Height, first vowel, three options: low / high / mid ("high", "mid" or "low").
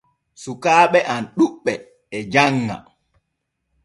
high